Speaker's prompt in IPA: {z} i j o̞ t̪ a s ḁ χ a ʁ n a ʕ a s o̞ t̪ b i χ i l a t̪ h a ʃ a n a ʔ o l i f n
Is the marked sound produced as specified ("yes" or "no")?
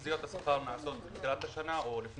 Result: yes